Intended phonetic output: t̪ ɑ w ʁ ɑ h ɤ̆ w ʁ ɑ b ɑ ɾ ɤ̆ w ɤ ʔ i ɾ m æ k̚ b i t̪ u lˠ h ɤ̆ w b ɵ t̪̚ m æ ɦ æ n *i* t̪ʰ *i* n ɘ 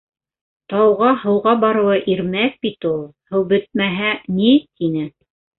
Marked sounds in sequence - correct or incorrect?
correct, correct

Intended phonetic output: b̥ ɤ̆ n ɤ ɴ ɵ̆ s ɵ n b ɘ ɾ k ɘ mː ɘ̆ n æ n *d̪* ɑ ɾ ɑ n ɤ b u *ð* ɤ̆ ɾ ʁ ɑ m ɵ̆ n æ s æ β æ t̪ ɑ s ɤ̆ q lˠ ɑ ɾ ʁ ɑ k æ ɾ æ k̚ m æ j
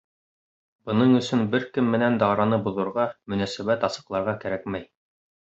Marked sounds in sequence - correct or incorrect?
correct, correct

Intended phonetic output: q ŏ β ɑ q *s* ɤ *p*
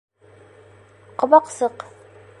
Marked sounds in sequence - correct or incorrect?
correct, incorrect

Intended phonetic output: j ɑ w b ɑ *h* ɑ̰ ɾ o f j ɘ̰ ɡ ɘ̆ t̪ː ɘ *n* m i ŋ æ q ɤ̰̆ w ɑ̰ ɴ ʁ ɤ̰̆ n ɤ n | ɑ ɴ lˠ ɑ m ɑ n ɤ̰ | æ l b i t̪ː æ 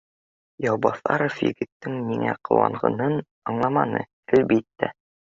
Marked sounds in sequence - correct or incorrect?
incorrect, incorrect

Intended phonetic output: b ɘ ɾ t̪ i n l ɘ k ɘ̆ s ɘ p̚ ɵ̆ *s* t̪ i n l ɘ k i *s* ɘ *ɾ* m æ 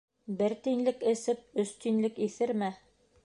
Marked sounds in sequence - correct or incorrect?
correct, incorrect, correct

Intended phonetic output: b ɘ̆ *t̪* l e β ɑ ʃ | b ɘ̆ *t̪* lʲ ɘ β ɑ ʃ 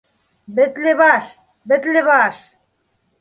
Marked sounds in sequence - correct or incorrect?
correct, correct

